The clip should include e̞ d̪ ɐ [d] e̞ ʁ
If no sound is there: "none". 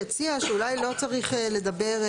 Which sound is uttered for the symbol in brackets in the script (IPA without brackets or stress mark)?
b